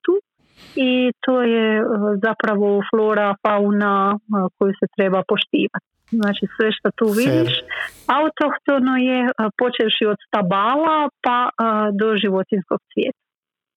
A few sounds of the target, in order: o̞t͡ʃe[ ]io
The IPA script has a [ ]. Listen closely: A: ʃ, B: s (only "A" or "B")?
A